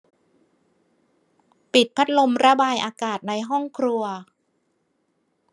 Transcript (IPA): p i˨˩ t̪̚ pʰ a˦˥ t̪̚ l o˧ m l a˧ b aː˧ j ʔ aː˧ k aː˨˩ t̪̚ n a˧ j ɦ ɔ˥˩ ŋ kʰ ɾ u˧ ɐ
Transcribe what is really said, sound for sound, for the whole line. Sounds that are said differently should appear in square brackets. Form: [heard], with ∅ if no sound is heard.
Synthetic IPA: p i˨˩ t̪̚ pʰ a˦˥ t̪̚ l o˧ m [ɾ] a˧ b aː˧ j ʔ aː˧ k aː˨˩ t̪̚ n a˧ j ɦ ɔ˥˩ ŋ kʰ ɾ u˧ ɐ